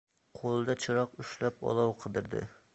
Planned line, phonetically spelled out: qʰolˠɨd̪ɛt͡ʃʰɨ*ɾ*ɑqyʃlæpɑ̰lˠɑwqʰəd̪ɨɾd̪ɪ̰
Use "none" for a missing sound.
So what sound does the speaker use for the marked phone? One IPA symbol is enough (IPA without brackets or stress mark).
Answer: ɾ